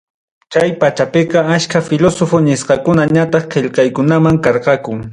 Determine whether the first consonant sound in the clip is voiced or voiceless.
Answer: voiceless